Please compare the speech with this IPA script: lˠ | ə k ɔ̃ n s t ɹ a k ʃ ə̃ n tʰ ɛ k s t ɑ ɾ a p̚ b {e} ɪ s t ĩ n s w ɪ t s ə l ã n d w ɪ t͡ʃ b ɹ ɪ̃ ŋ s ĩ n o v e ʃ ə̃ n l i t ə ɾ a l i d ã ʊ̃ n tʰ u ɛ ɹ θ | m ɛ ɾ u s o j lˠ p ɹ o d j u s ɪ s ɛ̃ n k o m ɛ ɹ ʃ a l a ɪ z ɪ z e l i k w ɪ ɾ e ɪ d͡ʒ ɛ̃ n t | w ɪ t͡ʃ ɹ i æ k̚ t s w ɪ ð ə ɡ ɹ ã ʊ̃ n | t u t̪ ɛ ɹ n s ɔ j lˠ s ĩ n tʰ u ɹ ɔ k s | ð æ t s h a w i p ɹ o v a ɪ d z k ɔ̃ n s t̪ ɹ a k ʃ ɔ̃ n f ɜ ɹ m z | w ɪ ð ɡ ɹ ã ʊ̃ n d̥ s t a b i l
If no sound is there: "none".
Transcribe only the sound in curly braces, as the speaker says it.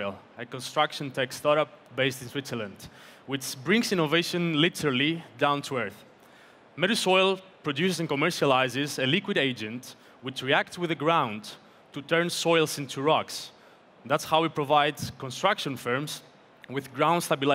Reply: e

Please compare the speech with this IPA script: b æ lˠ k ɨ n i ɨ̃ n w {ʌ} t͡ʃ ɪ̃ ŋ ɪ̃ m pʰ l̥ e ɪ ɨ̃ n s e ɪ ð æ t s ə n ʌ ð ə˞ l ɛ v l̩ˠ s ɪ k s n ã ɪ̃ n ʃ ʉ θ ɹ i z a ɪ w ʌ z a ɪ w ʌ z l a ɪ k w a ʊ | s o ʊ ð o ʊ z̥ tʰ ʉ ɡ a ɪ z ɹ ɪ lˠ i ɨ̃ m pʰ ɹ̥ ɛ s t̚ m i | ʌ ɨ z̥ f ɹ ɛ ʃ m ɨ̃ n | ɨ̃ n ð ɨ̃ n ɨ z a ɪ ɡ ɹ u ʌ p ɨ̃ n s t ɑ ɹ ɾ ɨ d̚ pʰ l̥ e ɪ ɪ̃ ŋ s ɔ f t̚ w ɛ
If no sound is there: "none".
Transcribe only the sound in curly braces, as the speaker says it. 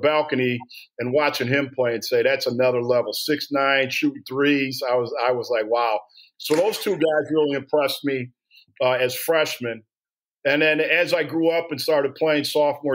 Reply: ɑ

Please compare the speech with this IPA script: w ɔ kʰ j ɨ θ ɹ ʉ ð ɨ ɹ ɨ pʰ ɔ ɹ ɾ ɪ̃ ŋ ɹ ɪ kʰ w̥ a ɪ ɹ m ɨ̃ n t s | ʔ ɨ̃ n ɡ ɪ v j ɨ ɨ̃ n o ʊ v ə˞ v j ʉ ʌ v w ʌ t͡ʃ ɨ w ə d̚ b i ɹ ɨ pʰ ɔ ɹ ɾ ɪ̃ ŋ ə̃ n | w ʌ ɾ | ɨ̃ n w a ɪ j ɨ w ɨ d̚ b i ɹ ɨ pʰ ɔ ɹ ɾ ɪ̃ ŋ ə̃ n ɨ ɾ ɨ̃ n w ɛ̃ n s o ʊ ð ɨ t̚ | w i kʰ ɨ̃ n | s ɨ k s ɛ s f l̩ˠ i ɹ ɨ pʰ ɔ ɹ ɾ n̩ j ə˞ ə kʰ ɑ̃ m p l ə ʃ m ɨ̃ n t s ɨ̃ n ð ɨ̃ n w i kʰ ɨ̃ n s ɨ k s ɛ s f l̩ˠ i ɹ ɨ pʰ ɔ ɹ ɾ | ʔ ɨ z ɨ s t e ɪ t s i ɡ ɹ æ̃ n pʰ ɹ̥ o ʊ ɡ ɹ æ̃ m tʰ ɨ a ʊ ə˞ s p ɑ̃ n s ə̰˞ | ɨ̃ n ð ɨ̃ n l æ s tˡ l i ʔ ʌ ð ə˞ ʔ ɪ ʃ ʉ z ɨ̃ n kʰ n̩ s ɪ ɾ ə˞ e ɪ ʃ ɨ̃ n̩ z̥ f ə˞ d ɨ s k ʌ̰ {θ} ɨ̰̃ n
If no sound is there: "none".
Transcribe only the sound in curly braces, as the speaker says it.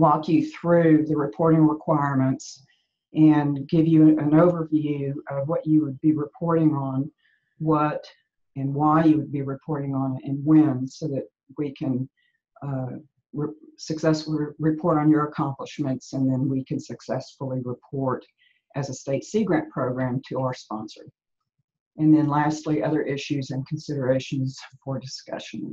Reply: ʃ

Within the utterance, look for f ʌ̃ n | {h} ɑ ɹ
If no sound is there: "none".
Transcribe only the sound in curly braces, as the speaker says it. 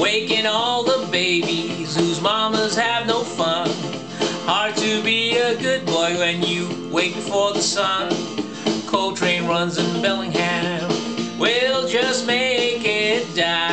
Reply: h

